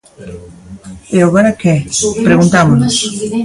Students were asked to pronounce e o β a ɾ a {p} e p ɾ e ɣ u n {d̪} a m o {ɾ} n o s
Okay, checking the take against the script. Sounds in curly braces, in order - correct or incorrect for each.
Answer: incorrect: k, incorrect: t̪, incorrect: none

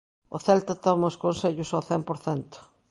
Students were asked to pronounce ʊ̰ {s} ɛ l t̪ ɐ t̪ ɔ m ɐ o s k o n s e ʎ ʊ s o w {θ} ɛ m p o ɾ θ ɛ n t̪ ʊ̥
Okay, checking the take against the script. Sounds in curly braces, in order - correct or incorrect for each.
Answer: incorrect: θ, correct

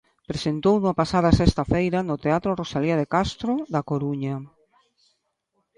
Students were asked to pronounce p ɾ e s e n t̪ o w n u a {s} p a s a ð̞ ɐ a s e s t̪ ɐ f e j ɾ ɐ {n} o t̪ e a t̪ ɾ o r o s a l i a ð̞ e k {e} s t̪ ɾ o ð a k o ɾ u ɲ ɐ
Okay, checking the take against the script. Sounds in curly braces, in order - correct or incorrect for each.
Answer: incorrect: none, correct, incorrect: a

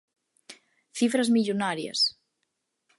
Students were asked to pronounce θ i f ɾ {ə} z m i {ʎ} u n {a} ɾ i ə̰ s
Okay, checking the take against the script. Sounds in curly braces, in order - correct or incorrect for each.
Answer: correct, correct, correct

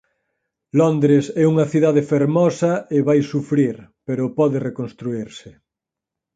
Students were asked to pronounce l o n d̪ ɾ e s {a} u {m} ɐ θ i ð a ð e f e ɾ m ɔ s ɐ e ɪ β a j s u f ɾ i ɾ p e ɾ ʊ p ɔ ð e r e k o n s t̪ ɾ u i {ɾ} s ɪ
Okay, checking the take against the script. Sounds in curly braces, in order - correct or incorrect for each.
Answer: incorrect: ɛ, incorrect: ŋ, correct

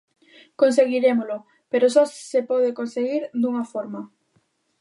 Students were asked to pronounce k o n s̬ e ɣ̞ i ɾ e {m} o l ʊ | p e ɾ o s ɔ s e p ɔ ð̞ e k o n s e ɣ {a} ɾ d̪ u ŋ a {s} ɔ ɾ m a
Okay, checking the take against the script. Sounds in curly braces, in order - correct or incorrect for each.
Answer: correct, incorrect: i, incorrect: f

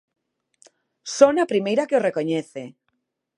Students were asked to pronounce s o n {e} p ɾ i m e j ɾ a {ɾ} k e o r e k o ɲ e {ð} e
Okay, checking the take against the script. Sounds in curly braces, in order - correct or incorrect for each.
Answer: incorrect: a, incorrect: none, incorrect: θ

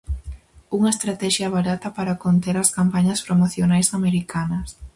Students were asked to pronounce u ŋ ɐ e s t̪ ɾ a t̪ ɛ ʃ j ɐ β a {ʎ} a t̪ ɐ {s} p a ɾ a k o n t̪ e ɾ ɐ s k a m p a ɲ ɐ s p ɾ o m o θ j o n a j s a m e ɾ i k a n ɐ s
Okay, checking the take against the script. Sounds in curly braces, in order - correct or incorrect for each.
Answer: incorrect: ɾ, incorrect: none

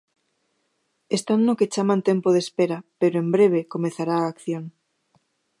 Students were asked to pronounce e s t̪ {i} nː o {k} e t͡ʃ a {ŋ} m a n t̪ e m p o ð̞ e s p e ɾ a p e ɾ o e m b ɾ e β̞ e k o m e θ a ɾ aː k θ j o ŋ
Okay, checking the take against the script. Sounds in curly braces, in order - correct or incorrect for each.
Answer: incorrect: a, correct, incorrect: none

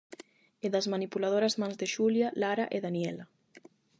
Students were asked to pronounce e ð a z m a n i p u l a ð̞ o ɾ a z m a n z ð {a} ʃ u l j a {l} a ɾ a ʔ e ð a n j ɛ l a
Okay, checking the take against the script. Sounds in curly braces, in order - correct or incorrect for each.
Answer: incorrect: e, correct

